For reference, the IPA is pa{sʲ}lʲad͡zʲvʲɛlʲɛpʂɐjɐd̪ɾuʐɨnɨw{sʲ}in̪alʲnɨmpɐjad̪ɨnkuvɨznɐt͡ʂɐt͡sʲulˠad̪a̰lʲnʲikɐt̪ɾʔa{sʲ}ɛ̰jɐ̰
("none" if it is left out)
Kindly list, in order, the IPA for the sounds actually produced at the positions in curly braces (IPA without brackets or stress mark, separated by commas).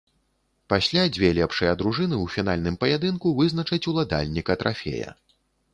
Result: sʲ, fʲ, fʲ